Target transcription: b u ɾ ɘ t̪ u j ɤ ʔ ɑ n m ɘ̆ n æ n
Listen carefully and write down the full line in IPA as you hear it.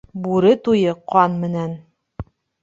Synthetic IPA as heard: b u ɾ ɘ t̪ u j ɤ q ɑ n m ɘ̆ n æ n